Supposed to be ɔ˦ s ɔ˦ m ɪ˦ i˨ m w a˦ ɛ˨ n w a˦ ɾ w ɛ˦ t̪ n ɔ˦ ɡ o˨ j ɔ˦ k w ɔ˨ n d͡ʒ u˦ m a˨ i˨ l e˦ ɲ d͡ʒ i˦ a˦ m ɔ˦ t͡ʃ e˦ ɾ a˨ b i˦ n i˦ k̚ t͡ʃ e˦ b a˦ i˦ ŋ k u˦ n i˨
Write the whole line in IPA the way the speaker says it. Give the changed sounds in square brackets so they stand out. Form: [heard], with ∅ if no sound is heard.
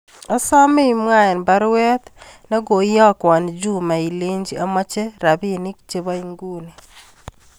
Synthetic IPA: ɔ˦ s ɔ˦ m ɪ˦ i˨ m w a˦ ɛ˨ n [b] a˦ ɾ w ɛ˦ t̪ n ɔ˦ ɡ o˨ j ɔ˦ k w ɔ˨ n d͡ʒ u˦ m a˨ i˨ l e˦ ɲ d͡ʒ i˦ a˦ m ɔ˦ t͡ʃ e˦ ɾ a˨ b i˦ n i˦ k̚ t͡ʃ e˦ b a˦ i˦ ŋ [ɡ] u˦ n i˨